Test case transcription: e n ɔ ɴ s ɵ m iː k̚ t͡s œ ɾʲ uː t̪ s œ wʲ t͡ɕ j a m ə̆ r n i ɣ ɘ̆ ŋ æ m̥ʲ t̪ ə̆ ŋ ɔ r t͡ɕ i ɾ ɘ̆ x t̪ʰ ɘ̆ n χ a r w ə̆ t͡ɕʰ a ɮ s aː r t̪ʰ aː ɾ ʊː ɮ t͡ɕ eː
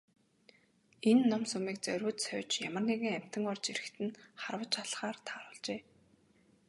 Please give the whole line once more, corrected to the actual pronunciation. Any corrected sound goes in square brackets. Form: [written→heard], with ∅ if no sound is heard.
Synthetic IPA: e [n→nː] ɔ [ɴ→m] s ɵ m iː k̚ t͡s œ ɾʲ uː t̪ s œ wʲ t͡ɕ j a m ə̆ r n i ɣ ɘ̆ ŋ æ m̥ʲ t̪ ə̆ ŋ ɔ r t͡ɕ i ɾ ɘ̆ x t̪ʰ ɘ̆ n χ a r w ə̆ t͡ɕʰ a ɮ [s→χ] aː r t̪ʰ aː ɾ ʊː ɮ t͡ɕ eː